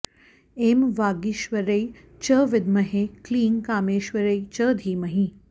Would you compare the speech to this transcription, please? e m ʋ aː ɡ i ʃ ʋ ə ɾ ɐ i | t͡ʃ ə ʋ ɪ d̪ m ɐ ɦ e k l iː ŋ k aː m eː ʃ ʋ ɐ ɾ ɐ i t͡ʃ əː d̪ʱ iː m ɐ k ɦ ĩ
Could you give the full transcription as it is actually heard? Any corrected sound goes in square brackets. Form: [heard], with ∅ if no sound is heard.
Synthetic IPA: e m ʋ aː ɡ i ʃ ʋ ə ɾ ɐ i | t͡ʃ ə ʋ ɪ d̪ m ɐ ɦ e k l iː ŋ k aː m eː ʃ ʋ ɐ ɾ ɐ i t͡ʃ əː d̪ʱ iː m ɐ [∅] ɦ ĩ